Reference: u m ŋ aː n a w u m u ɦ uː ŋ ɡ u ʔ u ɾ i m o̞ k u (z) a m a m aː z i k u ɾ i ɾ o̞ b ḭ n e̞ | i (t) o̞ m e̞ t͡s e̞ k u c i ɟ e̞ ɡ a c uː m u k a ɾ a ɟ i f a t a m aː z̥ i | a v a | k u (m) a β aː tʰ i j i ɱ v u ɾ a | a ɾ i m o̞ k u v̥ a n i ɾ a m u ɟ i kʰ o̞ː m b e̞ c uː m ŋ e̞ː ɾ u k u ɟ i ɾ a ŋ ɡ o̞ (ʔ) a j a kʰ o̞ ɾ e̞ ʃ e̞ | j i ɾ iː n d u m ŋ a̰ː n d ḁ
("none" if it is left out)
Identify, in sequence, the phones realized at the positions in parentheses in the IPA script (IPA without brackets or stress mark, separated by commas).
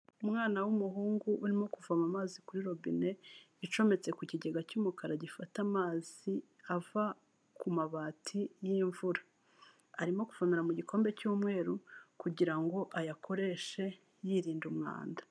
v, t͡ʃ, m, ʔ